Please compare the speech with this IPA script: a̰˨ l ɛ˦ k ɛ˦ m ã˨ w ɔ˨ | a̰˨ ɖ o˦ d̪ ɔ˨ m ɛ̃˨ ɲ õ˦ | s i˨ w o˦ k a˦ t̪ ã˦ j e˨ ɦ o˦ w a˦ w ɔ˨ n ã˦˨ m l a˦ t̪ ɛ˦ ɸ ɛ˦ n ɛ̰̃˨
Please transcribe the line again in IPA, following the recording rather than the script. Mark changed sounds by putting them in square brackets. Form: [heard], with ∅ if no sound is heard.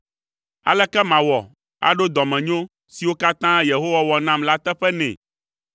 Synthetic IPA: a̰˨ l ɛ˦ k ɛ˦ m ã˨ w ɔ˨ | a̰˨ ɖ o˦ d̪ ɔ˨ m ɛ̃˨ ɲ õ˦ | s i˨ w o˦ k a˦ t̪ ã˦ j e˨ ɦ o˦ w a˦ w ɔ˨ n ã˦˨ m l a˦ t̪ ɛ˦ ɸ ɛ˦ n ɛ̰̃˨